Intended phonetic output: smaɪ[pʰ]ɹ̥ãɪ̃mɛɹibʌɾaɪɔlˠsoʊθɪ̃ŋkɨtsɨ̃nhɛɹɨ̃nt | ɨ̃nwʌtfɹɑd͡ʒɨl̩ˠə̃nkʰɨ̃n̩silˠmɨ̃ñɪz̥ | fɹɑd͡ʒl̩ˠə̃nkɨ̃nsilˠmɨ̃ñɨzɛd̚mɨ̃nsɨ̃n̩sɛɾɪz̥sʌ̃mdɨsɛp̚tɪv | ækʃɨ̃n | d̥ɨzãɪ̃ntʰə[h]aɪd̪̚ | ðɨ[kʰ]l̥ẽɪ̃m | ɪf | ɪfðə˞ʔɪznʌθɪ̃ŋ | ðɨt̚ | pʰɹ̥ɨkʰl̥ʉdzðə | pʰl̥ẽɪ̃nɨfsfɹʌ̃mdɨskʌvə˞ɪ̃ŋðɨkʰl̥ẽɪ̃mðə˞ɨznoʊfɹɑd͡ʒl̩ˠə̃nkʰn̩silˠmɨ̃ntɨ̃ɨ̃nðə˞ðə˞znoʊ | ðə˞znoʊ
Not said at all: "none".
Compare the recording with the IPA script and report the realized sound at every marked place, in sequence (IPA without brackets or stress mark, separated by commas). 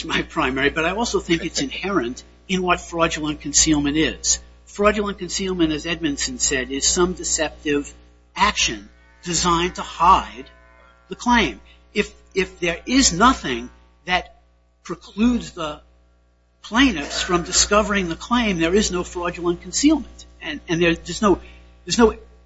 pʰ, h, kʰ